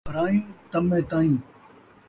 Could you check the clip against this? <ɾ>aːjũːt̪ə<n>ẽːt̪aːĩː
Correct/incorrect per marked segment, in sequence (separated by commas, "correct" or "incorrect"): correct, incorrect